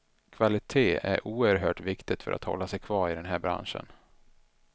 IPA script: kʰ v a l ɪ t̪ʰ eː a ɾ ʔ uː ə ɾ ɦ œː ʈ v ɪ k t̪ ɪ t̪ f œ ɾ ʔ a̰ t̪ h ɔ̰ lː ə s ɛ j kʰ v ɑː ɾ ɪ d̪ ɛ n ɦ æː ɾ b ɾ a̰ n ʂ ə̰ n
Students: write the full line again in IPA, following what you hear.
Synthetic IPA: kʰ v a l ɪ t̪ʰ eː æ ɾ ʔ uː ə ɾ ɦ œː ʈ v ɪ k t̪ ɪ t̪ f œ ɾ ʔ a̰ t̪ h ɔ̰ lː a s ɛ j kʰ v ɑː ɾ ɪ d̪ ɛ n ɦ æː ɾ b ɾ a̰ n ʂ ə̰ n

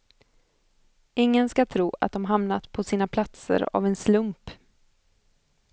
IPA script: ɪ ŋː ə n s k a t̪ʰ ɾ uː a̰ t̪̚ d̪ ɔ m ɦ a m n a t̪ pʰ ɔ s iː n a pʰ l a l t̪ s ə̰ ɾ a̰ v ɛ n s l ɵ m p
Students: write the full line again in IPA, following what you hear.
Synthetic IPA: ɪ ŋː ə n s k a t̪ʰ ɾ uː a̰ t̪̚ d̪ ɔ m ɦ a m n a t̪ pʰ ɔ s iː n a pʰ l a t̪ s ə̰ ɾ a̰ v ɛ n s l ɵ m p

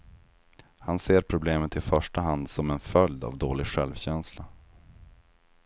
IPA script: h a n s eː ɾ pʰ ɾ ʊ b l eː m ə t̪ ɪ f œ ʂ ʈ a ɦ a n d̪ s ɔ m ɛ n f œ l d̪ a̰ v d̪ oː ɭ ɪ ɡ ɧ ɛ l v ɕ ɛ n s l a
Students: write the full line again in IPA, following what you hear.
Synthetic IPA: h a n s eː ɾ pʰ ɾ ʊ b l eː m ə t̪ ɪ f œ ʂ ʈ a ɦ a n d̪ s ɔ m ɛ n f œ l d̪ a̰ v d̪ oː l ɪ ɡ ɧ ɛ l v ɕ ɛ n s l a

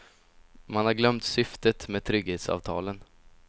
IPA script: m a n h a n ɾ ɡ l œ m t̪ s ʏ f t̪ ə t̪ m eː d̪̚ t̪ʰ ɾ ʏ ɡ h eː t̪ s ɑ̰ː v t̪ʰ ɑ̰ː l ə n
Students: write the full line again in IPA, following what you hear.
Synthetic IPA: m a n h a ɾ ɡ l œ m t̪ s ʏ f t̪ ə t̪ m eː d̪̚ t̪ʰ ɾ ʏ ɡ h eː t̪ s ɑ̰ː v t̪ʰ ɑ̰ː l ə n

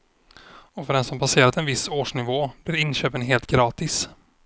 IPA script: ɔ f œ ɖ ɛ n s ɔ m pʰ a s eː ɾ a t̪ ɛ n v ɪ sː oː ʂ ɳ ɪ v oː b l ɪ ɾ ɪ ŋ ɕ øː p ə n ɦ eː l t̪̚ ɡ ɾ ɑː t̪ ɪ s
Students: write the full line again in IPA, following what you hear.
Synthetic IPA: ɔ f œ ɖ ɛ n s ɔ m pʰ a s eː ɾ a t̪ ɛ n v ɪ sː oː ʂ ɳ ɪ v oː b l ɪ ɾ ɪ n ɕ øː p ə n ɦ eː l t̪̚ ɡ ɾ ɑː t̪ ɪ s

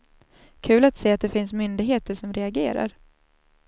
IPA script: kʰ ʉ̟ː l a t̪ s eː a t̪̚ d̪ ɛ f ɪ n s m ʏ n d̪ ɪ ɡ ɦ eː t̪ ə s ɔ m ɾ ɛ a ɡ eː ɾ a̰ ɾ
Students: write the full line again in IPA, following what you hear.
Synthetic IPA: kʰ ʉ̟ː l a t̪ s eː a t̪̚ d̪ ɛ f ɪ n s m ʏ n d̪ ɪ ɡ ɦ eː t̪ ə ʂ ɔ m ɾ ɛ a ɡ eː ɾ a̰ ɾ

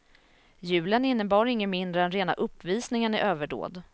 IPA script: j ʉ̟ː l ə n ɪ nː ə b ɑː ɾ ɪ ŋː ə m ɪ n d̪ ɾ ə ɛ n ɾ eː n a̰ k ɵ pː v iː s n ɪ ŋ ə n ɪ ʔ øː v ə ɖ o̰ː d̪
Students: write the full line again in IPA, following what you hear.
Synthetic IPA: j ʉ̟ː l ə n ɪ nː ə b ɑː ɾ ɪ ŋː ə m ɪ n d̪ ɾ ə ɛ n ɾ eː n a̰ ʔ ɵ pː v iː s n ɪ ŋ ə n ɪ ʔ øː v ə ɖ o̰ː d̪

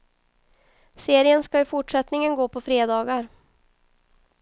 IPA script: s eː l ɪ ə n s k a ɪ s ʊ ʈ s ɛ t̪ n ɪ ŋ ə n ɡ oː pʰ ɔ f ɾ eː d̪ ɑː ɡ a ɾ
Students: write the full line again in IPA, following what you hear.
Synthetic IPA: s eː ɾ ɪ ə n s k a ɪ f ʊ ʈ ʂ ɛ t̪ n ɪ ŋ ə n ɡ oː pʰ ɔ f ɾ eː d̪ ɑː ɡ a ɾ

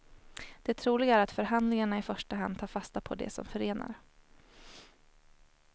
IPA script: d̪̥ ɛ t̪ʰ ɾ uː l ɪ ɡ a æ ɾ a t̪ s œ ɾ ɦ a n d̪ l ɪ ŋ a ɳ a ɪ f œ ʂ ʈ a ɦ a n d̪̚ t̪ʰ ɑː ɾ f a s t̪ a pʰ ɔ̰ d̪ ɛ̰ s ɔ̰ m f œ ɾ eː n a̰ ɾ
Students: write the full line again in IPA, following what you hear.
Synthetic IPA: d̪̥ ɛ t̪ʰ ɾ uː l ɪ ɡ a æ ɾ a t̪ f œ ɾ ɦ a n d̪ l ɪ ŋ a ɳ a ɪ f œ ʂ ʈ a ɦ a n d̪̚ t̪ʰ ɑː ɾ f a s t̪ a pʰ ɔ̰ d̪ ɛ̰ s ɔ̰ m f œ ɾ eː n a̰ ɾ

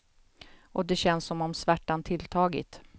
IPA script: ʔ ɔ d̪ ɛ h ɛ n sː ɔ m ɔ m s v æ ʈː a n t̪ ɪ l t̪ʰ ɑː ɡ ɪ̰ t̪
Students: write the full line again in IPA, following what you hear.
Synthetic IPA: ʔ ɔ d̪ ɛ ɕ ɛ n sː ɔ m ɔ m s v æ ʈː a n t̪ʰ ɪ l t̪ʰ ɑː ɡ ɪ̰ t̪

